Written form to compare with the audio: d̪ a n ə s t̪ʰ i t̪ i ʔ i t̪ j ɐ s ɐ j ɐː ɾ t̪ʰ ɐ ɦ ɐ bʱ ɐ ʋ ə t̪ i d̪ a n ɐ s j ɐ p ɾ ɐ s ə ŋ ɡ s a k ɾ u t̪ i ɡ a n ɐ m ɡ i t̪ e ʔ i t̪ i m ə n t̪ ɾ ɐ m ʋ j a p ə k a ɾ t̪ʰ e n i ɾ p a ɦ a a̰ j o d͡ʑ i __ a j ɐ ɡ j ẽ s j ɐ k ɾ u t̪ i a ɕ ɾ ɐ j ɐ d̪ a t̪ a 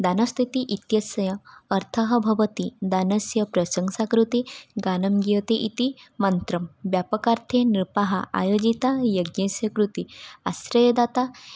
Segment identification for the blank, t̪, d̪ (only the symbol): t̪